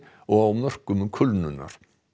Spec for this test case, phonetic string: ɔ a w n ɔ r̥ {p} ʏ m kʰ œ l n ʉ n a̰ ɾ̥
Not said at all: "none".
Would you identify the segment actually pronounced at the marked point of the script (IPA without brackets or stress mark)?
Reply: k